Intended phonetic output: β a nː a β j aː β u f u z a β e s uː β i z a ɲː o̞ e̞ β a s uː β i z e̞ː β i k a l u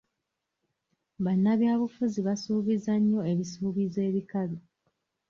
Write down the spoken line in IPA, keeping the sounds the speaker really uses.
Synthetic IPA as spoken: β a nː a β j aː β u f u z i β a s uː β i z a ɲː o̞ e̞ β i s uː β i z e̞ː β i k a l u